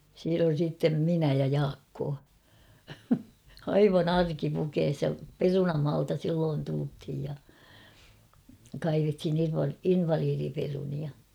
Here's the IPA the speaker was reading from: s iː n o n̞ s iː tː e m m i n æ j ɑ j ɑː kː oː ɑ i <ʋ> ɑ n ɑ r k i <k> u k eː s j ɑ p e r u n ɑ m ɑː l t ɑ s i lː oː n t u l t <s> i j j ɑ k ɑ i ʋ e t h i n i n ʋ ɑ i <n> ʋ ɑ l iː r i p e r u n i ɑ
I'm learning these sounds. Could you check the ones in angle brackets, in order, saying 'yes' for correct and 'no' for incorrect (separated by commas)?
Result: yes, no, no, yes